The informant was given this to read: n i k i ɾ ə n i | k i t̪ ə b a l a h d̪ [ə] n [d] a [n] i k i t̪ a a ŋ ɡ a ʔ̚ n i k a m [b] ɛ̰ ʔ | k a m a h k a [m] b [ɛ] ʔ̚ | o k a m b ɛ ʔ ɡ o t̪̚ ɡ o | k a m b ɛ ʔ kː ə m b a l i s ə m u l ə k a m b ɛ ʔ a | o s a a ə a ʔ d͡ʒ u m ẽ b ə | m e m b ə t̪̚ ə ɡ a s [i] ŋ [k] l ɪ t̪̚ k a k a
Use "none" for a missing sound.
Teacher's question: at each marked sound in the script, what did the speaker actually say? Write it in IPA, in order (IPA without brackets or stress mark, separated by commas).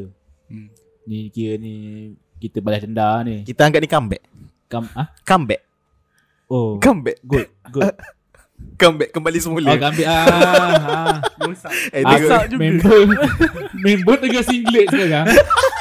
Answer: ə, d, n, b, m, ɛ, i, ɡ